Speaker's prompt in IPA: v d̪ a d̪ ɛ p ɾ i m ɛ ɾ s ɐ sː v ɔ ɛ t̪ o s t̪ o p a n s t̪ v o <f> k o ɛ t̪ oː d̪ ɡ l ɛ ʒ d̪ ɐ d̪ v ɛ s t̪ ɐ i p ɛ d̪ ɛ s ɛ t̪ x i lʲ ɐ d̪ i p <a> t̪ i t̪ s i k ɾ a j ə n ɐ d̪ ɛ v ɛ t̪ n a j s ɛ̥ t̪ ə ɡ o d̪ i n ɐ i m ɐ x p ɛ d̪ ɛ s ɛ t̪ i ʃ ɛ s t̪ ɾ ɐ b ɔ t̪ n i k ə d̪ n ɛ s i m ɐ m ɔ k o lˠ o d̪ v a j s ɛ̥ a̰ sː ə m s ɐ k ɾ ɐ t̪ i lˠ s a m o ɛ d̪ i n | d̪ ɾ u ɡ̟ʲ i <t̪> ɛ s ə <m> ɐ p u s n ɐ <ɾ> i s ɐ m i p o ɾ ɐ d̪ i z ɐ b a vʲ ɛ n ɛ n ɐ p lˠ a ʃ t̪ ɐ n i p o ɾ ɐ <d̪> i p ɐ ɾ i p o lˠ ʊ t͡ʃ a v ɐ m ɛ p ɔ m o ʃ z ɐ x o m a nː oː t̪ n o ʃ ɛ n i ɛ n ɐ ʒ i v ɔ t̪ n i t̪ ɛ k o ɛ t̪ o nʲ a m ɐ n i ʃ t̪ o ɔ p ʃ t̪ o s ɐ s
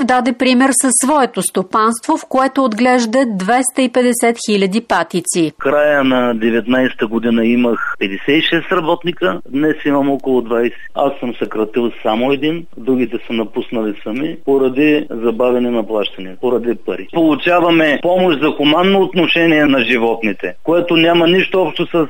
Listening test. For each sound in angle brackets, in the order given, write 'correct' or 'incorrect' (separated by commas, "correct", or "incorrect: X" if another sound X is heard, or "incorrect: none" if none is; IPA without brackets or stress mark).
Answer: correct, correct, correct, incorrect: n, incorrect: l, correct